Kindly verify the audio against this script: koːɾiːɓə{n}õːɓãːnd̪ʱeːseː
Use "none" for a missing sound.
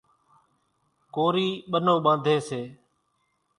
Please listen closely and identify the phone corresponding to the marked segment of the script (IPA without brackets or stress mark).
n